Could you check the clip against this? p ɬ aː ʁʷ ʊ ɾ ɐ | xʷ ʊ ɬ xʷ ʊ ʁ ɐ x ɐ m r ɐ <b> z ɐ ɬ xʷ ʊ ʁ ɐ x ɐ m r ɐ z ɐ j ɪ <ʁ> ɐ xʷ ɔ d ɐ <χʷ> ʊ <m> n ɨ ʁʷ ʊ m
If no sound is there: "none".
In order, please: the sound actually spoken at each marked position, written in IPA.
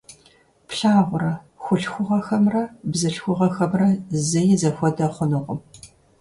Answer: b, z, χʷ, none

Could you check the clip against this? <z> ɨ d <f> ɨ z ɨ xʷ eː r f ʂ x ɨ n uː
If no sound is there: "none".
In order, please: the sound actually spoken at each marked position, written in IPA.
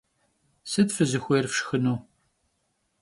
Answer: s, f

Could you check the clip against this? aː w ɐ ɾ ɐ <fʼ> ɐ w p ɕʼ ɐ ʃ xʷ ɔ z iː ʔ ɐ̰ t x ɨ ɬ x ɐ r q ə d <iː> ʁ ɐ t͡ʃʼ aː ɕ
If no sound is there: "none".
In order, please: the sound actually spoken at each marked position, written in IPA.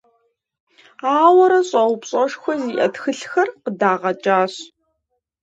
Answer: ɕʼ, aː

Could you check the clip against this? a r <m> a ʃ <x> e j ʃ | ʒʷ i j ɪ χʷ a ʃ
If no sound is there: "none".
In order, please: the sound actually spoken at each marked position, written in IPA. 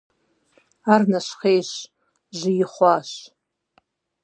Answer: n, χ

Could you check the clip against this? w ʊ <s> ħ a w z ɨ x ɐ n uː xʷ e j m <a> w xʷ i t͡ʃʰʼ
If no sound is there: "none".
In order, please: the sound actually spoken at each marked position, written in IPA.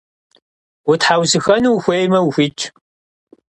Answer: t, ɐ

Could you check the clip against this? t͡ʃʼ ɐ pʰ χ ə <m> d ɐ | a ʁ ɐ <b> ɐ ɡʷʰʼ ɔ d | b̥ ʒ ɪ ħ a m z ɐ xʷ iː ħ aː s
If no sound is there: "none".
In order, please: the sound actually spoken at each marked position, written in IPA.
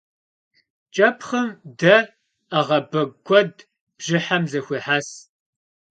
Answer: m, b

